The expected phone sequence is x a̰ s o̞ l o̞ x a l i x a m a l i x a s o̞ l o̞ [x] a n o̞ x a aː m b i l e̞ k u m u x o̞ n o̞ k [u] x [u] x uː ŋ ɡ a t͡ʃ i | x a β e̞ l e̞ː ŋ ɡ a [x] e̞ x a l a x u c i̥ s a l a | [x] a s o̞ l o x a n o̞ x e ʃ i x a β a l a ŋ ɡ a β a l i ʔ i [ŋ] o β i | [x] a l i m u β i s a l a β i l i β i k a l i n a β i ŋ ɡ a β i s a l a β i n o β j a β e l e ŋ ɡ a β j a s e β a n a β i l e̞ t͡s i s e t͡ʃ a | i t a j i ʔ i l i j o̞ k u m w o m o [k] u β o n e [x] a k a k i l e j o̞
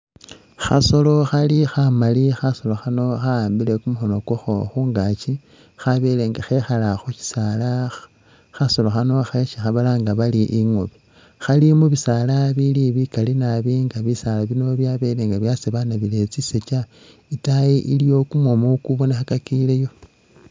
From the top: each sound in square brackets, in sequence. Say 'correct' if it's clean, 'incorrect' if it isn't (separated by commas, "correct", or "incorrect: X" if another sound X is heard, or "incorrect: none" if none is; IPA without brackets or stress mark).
correct, incorrect: o, incorrect: o, correct, correct, correct, correct, correct, correct